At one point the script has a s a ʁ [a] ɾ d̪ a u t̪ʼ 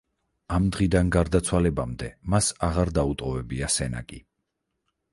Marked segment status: correct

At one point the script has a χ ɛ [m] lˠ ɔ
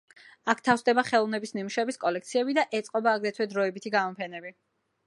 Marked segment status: incorrect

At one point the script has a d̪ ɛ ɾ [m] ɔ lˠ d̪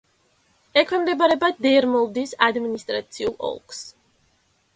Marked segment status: correct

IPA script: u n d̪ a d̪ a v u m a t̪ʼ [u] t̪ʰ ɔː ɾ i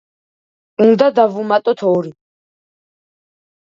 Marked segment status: incorrect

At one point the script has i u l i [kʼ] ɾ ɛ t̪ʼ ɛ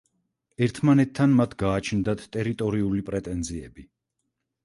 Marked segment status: incorrect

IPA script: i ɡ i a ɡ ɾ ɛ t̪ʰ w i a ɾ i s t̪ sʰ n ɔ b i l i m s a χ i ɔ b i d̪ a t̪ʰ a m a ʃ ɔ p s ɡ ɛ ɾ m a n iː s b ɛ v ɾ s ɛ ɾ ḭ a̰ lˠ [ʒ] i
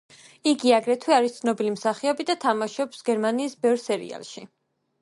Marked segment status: incorrect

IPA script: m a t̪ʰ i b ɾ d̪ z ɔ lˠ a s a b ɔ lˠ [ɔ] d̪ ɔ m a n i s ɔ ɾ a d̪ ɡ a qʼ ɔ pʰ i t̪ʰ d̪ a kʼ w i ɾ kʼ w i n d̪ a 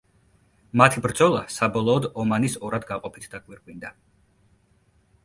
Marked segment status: incorrect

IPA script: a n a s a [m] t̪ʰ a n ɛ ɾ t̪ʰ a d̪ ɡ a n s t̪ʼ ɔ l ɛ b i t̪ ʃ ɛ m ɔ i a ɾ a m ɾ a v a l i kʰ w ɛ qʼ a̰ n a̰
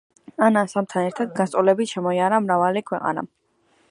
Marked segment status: correct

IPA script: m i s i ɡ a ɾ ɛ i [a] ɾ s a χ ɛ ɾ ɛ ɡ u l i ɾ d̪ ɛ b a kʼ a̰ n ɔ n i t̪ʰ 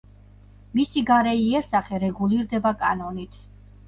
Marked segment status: incorrect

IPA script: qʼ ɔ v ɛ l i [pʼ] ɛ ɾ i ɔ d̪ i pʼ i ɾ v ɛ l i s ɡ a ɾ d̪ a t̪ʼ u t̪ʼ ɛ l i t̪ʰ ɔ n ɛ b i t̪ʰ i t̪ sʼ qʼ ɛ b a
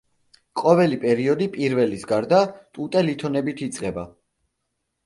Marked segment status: correct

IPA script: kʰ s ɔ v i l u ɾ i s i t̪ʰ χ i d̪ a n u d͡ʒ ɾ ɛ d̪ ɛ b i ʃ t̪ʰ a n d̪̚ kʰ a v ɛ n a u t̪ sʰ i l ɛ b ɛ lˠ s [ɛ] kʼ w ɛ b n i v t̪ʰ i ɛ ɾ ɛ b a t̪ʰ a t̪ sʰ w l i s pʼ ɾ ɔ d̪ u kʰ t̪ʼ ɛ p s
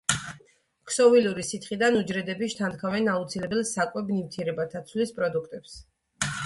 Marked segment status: incorrect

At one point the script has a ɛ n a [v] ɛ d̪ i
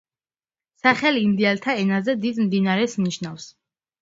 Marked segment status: incorrect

